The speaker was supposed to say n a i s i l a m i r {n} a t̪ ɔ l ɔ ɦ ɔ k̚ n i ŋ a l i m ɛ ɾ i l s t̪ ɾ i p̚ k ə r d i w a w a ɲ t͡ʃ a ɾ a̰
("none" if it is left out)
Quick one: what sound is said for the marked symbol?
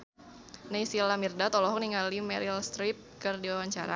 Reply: d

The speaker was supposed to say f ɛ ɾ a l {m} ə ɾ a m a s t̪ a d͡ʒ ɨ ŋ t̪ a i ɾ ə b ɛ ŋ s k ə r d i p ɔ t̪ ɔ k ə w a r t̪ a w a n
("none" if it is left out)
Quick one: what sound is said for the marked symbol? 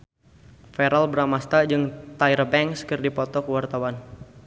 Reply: b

